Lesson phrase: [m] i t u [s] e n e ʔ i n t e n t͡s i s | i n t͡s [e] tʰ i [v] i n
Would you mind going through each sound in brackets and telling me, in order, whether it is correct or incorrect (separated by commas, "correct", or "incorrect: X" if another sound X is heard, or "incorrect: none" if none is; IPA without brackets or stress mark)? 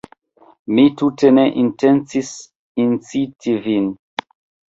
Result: correct, incorrect: t, incorrect: i, correct